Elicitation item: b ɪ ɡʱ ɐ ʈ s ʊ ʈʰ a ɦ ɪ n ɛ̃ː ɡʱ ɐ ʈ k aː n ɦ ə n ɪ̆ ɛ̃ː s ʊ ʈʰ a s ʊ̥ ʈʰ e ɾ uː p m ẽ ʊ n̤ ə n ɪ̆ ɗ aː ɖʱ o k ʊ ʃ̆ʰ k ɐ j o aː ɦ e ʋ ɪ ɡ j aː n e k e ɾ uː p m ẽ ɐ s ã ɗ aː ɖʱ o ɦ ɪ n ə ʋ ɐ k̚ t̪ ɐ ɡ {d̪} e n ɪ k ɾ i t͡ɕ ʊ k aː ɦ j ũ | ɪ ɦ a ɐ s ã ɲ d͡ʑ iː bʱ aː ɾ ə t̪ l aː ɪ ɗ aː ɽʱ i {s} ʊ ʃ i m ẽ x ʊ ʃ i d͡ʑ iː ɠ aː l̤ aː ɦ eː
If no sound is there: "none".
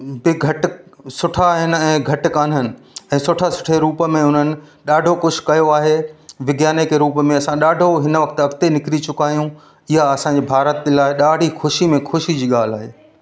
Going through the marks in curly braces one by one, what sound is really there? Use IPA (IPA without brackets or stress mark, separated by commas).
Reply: t̪, x